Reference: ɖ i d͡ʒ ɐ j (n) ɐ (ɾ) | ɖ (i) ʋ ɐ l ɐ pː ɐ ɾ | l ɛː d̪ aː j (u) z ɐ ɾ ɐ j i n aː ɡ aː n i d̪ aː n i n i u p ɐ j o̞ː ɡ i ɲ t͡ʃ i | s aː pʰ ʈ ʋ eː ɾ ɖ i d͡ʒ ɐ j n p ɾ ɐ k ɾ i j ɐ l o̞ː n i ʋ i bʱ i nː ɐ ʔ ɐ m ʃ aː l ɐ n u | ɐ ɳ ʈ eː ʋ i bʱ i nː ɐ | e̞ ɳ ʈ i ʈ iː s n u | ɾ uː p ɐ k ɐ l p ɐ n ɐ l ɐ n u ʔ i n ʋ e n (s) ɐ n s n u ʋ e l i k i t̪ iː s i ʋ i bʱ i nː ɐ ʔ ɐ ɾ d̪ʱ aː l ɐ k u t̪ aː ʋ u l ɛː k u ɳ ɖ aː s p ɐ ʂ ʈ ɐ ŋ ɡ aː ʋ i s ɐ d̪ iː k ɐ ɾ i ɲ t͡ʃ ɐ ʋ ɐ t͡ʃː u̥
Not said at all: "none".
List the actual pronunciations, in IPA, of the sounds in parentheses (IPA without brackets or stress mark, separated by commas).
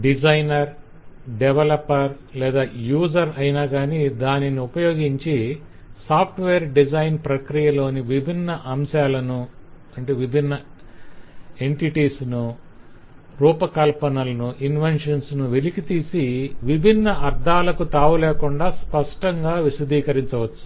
n, ɾ, ɛ, uː, ʂ